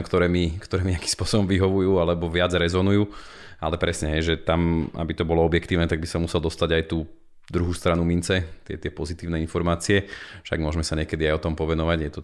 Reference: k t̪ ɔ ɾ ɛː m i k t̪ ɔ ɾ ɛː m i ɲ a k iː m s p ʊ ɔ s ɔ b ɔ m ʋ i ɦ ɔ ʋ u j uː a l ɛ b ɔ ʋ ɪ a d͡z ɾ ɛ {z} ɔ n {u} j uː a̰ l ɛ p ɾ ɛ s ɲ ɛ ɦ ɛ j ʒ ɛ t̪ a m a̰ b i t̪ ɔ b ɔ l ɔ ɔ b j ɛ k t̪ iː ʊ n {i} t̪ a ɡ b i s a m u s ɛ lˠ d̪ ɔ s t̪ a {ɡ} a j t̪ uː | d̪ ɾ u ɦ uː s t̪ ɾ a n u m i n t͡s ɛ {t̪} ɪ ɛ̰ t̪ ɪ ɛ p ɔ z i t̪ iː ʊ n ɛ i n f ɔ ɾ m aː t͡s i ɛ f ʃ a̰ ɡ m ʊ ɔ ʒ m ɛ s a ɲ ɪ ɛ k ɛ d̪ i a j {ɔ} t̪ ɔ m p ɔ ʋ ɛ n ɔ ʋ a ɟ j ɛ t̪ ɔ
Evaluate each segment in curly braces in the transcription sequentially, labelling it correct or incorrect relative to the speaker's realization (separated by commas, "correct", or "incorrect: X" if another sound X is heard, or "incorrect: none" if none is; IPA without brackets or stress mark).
correct, correct, incorrect: ɛ, incorrect: ɟ, correct, correct